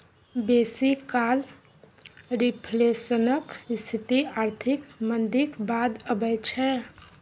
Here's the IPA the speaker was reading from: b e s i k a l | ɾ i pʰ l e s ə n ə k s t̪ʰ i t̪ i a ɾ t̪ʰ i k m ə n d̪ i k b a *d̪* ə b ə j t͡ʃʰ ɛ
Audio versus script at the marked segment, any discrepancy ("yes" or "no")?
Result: no